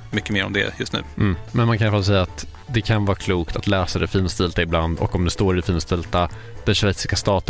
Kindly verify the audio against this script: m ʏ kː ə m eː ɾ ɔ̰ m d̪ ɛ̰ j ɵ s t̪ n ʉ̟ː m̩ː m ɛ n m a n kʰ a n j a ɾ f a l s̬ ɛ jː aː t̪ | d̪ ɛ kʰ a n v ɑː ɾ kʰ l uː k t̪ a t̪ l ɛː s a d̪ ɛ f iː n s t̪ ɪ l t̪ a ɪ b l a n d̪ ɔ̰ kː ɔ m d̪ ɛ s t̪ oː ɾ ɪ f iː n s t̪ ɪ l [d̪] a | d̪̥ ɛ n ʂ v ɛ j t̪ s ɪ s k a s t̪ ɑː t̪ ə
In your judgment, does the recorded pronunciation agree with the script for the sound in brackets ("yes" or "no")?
no